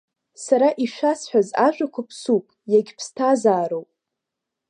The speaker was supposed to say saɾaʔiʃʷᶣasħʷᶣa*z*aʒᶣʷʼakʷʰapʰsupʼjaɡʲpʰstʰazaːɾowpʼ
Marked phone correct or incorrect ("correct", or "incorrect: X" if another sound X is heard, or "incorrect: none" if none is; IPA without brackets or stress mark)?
correct